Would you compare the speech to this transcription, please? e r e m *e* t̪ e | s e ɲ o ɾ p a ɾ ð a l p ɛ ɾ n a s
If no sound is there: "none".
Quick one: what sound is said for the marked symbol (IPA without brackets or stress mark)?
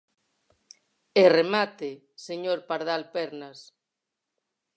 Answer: a